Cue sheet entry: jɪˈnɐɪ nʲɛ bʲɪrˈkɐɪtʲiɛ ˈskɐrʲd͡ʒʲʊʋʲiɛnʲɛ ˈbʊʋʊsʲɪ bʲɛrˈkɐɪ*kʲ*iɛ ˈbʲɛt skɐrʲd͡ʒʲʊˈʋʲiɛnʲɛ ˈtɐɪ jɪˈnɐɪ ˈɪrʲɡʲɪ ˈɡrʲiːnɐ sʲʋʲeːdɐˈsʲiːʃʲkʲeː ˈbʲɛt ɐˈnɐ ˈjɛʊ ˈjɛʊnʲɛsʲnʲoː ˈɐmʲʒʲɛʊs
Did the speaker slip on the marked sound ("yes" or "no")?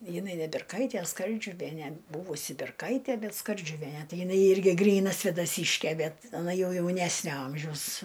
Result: yes